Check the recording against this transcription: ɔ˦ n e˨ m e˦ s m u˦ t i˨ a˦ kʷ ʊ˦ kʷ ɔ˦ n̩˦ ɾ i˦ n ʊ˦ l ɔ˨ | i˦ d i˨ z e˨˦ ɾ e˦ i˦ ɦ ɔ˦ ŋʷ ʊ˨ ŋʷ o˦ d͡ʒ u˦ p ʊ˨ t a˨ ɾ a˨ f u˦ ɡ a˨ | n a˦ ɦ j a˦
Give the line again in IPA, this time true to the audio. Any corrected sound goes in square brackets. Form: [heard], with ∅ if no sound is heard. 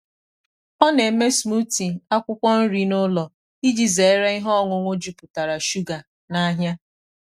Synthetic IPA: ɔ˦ n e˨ m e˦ s m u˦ t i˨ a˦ kʷ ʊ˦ kʷ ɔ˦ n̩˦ ɾ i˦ n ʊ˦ l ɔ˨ | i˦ [d͡ʒ] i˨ z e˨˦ ɾ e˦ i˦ ɦ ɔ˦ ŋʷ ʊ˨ ŋʷ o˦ d͡ʒ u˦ p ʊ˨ t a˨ ɾ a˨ [ʃ] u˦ ɡ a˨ | n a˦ ɦ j a˦

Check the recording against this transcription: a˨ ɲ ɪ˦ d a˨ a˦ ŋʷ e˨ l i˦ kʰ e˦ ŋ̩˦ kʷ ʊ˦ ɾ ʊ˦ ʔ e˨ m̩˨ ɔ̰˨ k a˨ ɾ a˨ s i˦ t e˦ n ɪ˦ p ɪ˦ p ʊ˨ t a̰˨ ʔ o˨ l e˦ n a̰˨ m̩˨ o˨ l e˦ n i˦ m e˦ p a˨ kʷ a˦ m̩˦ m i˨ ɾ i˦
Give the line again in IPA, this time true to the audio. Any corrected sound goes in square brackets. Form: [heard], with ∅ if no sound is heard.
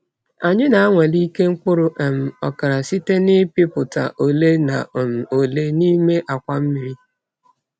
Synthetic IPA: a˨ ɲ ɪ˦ [n] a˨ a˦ ŋʷ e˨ l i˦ [k] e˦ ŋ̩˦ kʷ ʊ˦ ɾ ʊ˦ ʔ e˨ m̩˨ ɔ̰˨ k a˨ ɾ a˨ s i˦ t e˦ n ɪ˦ p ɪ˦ p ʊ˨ t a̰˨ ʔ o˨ l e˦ n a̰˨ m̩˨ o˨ l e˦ n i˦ m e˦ [ʔ] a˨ kʷ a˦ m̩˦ m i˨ ɾ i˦

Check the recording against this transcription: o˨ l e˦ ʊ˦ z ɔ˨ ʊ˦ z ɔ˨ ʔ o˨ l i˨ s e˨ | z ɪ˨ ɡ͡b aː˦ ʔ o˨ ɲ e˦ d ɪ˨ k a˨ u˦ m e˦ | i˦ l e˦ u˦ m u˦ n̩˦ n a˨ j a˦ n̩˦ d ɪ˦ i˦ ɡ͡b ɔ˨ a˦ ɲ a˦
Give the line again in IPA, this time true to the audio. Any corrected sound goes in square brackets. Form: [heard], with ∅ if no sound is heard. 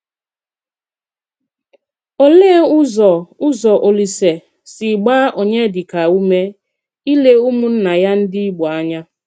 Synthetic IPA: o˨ l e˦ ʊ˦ z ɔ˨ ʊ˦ z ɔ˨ ʔ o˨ l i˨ s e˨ | [s] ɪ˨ ɡ͡b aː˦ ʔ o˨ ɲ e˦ d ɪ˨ k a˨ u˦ m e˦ | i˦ l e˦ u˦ m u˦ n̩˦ n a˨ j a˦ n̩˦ d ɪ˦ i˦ ɡ͡b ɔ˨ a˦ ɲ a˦

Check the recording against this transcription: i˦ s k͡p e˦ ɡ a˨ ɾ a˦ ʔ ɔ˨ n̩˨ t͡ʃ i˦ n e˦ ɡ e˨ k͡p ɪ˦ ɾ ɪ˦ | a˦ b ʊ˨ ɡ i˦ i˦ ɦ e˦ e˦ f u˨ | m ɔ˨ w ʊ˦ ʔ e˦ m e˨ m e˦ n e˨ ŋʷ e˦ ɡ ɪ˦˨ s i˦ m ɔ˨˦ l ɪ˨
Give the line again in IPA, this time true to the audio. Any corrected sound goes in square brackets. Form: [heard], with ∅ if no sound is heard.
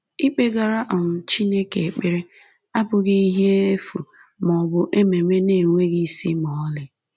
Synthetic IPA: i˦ [∅] k͡p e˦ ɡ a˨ ɾ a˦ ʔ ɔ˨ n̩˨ t͡ʃ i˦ n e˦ [k] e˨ k͡p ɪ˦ ɾ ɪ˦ | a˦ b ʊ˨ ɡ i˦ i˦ ɦ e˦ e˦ f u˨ | m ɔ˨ [b] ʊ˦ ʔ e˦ m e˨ m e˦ n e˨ ŋʷ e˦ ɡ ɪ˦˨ s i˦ m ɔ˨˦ l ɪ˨

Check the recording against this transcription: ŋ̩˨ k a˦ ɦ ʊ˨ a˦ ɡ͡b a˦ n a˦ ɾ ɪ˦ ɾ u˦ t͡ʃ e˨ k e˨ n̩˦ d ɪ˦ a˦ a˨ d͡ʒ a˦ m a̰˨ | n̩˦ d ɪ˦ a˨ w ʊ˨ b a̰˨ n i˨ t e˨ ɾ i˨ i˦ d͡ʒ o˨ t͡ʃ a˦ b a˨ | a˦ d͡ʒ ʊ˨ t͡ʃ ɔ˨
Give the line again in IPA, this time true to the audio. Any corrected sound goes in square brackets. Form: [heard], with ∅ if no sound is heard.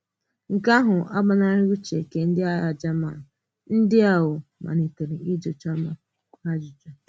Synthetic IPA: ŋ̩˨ k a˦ ɦ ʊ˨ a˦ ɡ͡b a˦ n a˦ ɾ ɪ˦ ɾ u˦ t͡ʃ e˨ k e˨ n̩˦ d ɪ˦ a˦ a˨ d͡ʒ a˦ m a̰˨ | n̩˦ d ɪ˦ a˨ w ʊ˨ [m] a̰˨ n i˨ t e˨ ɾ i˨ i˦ d͡ʒ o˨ t͡ʃ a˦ [m] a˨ | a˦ d͡ʒ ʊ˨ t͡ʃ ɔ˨

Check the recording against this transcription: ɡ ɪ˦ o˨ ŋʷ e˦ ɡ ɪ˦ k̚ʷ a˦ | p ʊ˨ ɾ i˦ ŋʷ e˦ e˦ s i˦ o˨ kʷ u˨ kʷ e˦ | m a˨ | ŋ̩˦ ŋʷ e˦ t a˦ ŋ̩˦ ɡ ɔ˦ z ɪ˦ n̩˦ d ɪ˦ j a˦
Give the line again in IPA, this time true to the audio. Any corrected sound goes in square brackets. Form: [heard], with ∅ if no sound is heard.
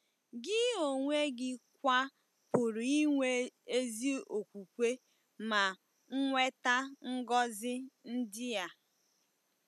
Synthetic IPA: ɡ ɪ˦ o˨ ŋʷ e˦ ɡ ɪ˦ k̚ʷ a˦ | p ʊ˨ ɾ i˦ ŋʷ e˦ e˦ [z] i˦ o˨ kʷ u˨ kʷ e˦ | m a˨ | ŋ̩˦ ŋʷ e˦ t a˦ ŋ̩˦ ɡ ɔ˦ z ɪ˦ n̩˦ d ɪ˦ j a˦

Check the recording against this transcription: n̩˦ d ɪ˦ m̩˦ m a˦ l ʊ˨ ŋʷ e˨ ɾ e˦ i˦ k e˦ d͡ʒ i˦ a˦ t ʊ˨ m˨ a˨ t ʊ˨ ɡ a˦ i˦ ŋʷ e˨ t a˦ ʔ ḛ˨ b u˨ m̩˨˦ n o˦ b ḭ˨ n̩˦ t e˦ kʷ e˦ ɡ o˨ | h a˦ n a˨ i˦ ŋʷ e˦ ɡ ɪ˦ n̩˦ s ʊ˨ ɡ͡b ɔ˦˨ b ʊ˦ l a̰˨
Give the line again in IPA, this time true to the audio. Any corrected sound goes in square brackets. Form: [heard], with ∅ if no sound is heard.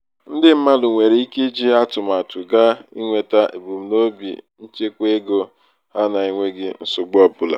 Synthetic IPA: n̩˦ d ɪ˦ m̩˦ m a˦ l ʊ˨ ŋʷ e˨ ɾ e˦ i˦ k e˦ d͡ʒ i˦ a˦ t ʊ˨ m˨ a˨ t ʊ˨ ɡ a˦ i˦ ŋʷ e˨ t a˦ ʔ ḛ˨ b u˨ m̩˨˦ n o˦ b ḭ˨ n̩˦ [t͡ʃ] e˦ kʷ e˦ ɡ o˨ | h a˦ n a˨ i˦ ŋʷ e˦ ɡ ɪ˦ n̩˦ s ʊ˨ ɡ͡b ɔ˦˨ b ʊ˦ l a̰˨

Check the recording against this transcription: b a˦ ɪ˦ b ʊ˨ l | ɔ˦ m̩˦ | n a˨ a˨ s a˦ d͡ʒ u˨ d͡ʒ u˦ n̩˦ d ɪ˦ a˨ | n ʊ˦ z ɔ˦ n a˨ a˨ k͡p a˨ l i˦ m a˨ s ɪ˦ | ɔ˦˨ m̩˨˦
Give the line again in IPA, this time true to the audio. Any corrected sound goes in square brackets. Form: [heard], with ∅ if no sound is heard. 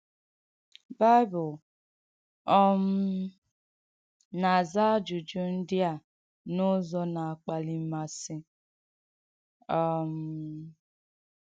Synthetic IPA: b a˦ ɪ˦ b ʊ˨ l | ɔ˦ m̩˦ | n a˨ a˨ [z] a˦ d͡ʒ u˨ d͡ʒ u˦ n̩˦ d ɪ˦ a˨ | n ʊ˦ z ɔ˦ n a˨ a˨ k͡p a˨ l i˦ m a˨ s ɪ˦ | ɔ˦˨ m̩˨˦

